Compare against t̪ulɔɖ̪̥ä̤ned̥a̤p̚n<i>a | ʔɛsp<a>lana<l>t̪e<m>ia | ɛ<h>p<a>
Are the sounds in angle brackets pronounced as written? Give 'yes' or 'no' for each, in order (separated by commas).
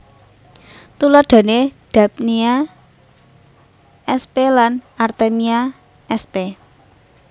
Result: yes, no, no, yes, no, no